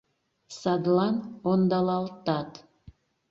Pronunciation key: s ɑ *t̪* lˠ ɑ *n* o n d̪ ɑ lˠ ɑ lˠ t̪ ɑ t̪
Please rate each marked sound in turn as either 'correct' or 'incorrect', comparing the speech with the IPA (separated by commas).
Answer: incorrect, correct